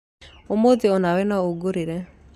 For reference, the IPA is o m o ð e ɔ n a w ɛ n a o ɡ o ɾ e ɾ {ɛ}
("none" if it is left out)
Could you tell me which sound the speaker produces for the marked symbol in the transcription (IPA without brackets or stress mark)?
ɛ